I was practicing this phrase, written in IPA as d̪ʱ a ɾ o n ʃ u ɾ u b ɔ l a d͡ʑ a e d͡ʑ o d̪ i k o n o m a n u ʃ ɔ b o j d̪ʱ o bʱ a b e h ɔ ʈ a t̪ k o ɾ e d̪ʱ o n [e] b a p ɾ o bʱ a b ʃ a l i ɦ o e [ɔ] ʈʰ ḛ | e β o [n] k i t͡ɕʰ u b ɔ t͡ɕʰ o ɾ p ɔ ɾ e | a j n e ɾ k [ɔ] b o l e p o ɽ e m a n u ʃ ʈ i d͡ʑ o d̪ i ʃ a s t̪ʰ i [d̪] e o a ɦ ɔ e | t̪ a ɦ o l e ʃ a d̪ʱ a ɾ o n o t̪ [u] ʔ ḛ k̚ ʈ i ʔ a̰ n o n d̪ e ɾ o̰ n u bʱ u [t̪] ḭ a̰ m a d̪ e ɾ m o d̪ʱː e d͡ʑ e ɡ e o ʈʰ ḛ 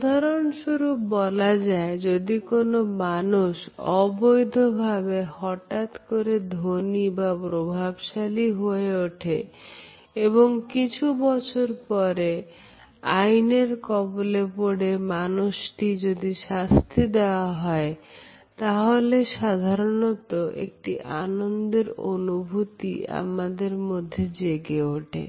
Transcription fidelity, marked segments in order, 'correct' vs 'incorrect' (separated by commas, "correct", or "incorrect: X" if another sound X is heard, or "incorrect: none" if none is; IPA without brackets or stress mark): incorrect: i, incorrect: o, incorrect: ŋ, correct, correct, incorrect: o, correct